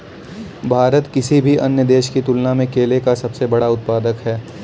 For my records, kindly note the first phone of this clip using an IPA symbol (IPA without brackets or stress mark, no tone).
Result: bʱ